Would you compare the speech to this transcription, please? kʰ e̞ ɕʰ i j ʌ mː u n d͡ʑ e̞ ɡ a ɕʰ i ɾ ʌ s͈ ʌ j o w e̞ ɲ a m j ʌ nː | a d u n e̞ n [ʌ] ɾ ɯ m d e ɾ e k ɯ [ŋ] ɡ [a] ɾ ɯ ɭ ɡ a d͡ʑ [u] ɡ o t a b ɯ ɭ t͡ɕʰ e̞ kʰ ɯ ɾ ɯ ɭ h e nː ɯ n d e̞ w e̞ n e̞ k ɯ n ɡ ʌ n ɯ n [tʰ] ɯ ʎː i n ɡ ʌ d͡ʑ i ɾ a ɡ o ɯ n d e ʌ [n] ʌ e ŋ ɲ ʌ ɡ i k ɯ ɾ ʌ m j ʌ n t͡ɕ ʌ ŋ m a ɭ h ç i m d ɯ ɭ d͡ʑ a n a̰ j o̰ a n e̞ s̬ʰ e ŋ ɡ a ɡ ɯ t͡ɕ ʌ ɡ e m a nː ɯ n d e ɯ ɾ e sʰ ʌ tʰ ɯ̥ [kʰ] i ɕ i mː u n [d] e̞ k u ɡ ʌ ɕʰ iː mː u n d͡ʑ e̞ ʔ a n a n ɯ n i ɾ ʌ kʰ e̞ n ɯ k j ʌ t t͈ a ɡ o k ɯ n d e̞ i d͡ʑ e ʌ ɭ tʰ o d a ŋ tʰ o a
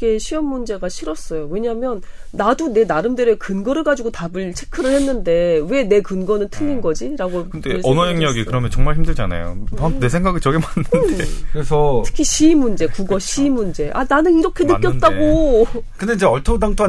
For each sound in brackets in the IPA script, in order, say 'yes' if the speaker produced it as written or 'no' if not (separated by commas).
no, no, no, yes, yes, yes, yes, no